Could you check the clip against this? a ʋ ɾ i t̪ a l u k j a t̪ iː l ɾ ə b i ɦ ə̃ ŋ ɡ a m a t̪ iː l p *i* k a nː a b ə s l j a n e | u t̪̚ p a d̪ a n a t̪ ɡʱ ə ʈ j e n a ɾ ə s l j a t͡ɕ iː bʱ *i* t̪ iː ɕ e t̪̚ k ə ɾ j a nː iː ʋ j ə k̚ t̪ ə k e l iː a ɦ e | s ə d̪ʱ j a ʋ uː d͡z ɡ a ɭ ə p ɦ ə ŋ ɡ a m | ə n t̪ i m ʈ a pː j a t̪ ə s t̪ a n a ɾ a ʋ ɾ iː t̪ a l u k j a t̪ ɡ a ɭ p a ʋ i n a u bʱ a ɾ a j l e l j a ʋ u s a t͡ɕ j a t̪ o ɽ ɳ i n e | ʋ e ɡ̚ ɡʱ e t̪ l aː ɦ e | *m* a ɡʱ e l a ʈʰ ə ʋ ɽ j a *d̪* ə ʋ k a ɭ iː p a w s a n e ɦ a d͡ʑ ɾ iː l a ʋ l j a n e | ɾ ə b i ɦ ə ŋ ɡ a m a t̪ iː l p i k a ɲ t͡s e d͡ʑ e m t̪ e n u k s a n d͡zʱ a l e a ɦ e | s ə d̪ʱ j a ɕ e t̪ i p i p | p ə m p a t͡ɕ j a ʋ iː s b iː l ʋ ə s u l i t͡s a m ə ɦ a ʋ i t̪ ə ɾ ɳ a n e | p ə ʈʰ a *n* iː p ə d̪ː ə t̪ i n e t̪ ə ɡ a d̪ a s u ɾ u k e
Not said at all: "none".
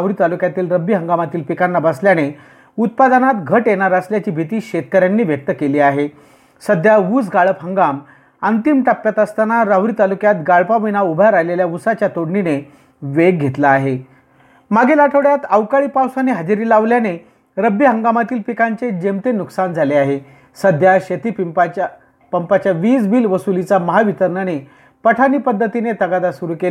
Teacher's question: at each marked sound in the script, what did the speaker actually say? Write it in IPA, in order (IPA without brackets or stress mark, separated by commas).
i, i, m, t̪, n